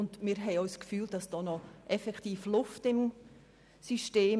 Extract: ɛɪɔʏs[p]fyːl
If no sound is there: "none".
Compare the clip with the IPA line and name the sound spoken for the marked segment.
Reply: k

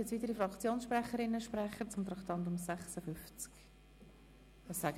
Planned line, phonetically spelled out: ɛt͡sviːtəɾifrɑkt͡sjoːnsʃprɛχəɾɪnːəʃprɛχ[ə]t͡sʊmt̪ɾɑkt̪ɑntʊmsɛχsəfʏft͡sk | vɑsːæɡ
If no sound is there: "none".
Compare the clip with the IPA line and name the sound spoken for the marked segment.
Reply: ə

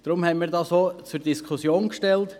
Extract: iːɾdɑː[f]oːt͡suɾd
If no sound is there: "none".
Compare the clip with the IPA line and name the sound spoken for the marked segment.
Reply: s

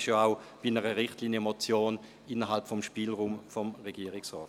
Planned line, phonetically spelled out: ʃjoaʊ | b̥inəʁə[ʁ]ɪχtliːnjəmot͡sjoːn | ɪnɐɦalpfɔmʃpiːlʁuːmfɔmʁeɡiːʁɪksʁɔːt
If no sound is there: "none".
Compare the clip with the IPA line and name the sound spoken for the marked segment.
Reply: ʁ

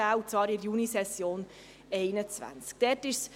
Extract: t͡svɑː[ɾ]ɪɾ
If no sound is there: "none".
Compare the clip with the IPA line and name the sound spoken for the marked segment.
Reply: ɾ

